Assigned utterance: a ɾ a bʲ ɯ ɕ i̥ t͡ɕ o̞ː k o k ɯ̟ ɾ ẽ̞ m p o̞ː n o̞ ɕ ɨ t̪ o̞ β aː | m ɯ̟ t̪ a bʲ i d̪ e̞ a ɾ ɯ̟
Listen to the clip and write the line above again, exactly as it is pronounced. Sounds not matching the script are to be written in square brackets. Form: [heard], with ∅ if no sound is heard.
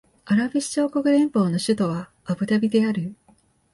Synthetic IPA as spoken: a ɾ a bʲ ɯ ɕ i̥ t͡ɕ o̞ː k o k ɯ̟ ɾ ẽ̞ m p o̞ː n o̞ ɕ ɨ t̪ o̞ β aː | [b] ɯ̟ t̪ a bʲ i d̪ e̞ a ɾ ɯ̟